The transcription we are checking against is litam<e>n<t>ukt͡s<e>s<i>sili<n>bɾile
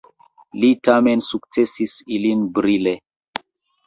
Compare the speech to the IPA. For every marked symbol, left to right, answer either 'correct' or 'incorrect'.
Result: correct, incorrect: s, correct, correct, correct

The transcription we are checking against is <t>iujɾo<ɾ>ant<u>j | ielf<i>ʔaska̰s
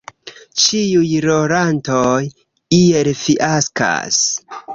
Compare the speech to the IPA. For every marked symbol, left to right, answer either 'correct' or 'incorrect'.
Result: incorrect: t͡ʃ, correct, incorrect: o, correct

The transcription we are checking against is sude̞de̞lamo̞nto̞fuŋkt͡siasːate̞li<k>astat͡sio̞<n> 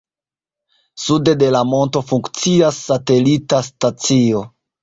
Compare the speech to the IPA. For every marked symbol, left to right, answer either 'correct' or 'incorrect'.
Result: incorrect: t, incorrect: none

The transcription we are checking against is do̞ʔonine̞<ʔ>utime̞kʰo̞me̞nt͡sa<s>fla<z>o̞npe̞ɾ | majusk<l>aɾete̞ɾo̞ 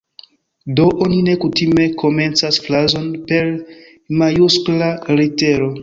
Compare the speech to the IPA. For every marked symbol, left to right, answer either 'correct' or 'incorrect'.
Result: incorrect: k, correct, correct, correct

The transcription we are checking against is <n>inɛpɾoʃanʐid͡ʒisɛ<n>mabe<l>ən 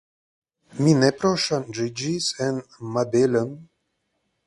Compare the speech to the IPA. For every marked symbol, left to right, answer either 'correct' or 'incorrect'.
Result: incorrect: m, correct, correct

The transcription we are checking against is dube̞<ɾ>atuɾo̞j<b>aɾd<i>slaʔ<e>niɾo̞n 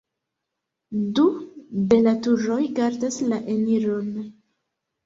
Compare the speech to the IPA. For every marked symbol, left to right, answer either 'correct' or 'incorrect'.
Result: incorrect: l, incorrect: ɡ, incorrect: a, correct

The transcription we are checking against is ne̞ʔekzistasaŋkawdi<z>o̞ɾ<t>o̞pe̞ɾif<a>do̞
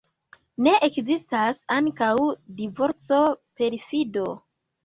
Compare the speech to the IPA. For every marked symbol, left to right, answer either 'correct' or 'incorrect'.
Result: incorrect: v, incorrect: t͡s, incorrect: i

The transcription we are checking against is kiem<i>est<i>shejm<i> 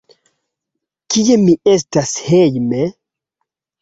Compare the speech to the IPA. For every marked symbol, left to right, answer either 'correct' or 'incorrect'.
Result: correct, incorrect: a, incorrect: e

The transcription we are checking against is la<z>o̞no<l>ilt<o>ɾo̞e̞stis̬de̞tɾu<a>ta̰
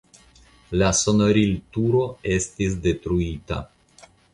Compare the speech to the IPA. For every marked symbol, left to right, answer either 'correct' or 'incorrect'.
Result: incorrect: s, incorrect: ɾ, incorrect: u, incorrect: i

